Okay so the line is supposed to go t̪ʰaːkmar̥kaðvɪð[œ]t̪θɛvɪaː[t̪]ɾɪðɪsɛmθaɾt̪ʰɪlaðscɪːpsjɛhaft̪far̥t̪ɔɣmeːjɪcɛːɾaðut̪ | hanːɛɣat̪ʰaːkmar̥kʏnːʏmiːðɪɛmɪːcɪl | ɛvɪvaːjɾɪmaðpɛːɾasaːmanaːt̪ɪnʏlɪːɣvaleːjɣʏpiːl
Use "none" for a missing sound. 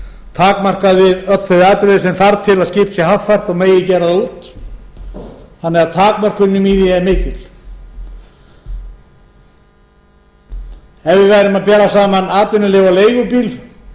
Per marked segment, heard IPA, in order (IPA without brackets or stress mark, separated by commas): œ, t̪